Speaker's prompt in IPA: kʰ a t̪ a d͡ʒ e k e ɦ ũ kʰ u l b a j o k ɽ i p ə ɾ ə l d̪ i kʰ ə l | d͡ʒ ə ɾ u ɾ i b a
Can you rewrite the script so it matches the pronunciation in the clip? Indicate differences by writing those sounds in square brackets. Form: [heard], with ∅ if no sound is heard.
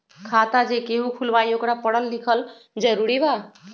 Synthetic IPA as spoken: kʰ a t̪ a d͡ʒ e k e ɦ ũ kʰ u l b a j o k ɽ [a] p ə [ɽ] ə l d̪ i kʰ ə l | d͡ʒ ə ɾ u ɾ i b a